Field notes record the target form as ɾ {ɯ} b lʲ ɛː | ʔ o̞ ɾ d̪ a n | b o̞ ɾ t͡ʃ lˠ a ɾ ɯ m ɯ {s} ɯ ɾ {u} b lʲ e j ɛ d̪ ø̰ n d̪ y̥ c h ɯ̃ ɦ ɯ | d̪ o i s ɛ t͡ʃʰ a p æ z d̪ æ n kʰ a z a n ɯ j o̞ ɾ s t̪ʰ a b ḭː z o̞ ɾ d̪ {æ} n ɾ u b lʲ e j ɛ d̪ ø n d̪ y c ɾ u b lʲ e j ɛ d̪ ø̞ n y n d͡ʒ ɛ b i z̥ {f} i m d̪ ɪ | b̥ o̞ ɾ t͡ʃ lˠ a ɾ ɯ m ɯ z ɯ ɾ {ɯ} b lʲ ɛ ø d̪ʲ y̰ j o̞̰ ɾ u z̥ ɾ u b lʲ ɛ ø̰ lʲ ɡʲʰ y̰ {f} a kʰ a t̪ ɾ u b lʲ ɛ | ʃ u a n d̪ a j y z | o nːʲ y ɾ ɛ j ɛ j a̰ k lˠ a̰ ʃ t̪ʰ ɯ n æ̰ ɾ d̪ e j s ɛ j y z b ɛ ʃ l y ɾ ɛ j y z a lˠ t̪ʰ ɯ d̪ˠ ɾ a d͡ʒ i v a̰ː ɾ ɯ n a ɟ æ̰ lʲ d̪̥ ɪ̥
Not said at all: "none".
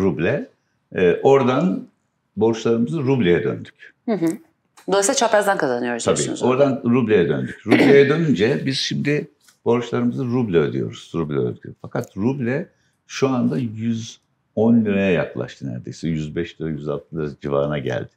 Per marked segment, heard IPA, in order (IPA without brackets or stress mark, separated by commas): u, z, u, a, ʃ, u, f